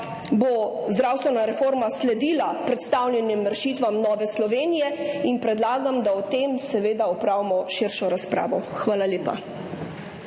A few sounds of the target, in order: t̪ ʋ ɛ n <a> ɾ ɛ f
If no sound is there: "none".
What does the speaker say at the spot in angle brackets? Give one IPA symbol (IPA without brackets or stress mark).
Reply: a